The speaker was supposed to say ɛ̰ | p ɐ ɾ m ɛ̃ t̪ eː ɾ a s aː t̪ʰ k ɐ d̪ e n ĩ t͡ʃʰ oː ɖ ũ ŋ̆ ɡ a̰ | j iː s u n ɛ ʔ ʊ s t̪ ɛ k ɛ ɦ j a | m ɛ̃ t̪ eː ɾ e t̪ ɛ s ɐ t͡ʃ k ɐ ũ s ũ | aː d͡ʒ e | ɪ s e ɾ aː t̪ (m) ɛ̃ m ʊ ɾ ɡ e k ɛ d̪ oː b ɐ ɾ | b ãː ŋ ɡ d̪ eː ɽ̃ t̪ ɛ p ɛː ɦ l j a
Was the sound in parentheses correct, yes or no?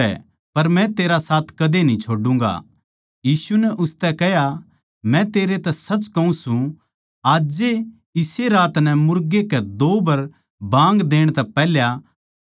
no